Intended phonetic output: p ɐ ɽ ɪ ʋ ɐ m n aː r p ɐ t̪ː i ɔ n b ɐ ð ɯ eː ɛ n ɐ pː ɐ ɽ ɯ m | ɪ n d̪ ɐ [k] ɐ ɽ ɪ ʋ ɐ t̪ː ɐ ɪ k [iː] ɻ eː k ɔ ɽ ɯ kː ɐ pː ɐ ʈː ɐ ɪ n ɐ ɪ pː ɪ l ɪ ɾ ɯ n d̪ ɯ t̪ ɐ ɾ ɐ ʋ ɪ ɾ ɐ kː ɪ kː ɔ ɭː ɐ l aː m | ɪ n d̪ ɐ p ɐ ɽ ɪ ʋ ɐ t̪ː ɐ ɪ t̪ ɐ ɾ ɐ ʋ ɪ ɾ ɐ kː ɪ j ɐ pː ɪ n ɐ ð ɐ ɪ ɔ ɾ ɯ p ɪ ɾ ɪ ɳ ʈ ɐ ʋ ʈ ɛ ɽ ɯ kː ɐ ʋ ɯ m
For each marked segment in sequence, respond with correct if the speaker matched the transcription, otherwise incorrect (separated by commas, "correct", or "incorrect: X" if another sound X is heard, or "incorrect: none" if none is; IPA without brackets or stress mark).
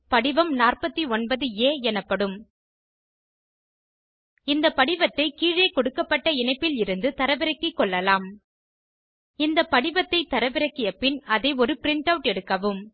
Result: incorrect: p, correct